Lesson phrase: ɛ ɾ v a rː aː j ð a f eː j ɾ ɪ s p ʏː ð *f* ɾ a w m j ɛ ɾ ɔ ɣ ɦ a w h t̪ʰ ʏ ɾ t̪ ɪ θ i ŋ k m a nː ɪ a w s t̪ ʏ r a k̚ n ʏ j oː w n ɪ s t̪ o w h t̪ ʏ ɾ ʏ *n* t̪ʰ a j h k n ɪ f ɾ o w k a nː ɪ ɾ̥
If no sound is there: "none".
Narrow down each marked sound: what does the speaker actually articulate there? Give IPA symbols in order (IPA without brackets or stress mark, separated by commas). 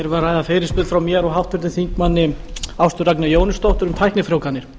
f, m